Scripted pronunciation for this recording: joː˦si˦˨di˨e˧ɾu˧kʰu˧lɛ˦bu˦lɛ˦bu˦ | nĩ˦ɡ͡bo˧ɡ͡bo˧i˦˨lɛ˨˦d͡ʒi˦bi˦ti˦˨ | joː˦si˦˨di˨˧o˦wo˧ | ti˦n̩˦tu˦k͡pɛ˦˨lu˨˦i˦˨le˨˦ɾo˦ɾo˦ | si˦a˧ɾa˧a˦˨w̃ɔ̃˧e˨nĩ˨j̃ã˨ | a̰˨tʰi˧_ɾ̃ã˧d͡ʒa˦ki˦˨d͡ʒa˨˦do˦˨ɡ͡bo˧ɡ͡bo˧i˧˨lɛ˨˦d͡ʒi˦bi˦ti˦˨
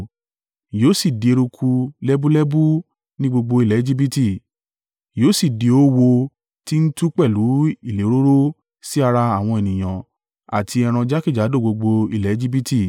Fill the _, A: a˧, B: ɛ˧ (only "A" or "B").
B